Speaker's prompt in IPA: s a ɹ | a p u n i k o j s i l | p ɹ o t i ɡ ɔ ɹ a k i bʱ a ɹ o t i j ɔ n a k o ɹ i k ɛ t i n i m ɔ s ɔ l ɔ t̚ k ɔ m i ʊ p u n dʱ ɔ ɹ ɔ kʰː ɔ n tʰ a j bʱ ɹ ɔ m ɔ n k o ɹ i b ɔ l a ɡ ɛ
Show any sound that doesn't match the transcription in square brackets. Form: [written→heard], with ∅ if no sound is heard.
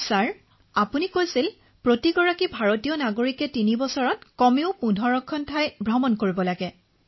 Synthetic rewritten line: s a ɹ | a p u n i k o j s i l | p ɹ o t i ɡ ɔ ɹ a k i bʱ a ɹ o t i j ɔ n a [k→ɡ] o ɹ i k ɛ t i n i [m→b] ɔ s ɔ [l→ɹ] ɔ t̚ k ɔ m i ʊ p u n dʱ ɔ ɹ ɔ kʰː ɔ n tʰ a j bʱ ɹ ɔ m ɔ n k o ɹ i b ɔ l a ɡ ɛ